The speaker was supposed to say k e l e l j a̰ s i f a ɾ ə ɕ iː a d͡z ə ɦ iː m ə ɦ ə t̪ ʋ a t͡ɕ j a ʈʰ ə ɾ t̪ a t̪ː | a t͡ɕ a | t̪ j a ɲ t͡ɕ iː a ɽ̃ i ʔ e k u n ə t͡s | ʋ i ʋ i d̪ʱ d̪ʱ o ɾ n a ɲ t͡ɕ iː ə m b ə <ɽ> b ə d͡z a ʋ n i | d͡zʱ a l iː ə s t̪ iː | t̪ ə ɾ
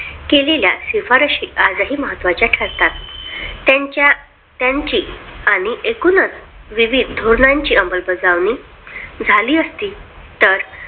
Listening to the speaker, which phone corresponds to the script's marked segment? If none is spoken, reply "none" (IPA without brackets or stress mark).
l